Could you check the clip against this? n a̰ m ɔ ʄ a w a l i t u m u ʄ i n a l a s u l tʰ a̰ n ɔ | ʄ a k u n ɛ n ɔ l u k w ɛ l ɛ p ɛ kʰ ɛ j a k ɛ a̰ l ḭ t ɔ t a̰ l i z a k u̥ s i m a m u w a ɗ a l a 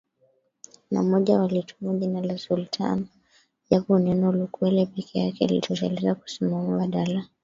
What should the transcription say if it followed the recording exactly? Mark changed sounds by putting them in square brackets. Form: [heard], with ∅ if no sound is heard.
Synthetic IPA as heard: n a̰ m ɔ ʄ a w a l i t u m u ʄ i n a l a s u l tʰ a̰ n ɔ | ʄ a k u n ɛ n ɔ l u k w ɛ l ɛ p ɛ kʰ ɛ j a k ɛ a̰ l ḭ t ɔ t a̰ l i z a k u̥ s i m a m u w a ɗ a l a